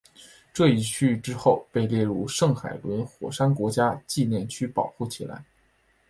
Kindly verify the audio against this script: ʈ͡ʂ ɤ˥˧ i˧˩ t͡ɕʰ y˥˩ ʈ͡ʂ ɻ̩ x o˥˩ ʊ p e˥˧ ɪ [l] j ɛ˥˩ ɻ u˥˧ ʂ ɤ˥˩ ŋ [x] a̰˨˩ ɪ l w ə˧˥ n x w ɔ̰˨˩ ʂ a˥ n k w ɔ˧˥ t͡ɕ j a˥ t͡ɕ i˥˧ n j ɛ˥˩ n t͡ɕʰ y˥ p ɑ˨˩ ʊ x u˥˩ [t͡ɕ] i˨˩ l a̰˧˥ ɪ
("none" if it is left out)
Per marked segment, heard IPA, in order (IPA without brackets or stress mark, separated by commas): l, x, t͡ɕʰ